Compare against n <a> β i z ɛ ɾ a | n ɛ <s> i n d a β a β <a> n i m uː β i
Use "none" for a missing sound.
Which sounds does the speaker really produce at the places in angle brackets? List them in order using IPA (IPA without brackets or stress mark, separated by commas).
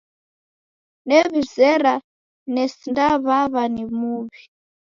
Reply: ɛ, s, a